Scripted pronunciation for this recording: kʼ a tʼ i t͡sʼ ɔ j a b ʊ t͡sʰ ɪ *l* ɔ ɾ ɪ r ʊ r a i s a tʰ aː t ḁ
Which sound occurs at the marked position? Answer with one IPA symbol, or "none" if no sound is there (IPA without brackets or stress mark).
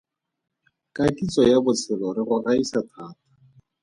l